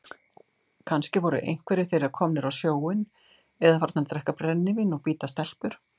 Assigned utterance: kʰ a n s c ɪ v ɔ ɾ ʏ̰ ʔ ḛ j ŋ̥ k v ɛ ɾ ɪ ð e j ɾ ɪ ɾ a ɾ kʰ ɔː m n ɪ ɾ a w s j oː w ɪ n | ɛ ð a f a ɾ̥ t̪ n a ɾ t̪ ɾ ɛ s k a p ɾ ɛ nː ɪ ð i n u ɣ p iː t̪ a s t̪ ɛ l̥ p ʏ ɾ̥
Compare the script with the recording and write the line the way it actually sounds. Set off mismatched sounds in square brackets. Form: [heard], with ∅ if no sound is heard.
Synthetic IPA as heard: kʰ a n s c ɪ v ɔ ɾ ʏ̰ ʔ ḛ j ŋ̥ k v ɛ ɾ ɪ [θ] e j ɾ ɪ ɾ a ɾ kʰ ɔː m n ɪ ɾ a w s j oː w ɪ n | ɛ ð a f a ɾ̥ t̪ n a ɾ t̪ ɾ ɛ [h] k a p ɾ ɛ nː ɪ [v] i n [ɔ] ɣ p iː t̪ a s t̪ ɛ l̥ p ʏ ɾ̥